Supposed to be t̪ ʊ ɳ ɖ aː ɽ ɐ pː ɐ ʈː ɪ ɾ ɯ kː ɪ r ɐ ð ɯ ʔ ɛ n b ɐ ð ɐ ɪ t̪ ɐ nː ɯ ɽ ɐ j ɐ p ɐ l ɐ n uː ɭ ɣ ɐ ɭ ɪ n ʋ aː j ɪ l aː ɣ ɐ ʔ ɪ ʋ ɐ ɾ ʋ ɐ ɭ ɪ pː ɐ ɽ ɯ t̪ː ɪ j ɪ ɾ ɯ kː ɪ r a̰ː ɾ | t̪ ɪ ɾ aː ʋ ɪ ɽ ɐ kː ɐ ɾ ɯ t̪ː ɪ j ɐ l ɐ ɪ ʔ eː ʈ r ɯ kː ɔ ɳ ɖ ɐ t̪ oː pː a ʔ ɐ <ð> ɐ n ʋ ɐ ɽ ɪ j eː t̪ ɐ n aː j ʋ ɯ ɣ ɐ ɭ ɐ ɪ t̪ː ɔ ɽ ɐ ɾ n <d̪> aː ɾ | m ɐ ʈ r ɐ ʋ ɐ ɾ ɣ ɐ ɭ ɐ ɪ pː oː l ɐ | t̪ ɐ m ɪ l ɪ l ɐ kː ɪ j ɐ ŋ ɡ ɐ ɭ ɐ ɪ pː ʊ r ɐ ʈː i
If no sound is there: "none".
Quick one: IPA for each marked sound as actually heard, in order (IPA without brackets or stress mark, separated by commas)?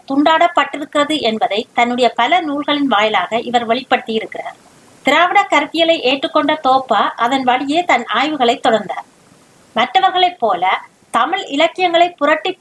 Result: ð, d̪